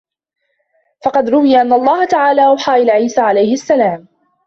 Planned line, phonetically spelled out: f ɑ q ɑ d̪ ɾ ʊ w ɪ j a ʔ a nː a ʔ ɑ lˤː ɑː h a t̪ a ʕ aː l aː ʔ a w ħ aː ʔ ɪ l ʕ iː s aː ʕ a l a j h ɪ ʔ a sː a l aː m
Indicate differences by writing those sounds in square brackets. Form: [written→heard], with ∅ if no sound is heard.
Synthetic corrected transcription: f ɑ q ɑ d̪ ɾ ʊ w ɪ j a ʔ a nː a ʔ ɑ lˤː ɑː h a t̪ a ʕ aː l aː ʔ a w ħ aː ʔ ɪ l ʕ iː s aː ʕ a l a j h ɪ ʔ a sː a l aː m